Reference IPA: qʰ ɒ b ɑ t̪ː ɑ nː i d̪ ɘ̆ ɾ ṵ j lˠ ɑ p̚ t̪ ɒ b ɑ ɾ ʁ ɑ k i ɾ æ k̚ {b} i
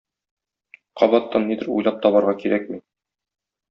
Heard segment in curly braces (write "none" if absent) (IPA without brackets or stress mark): m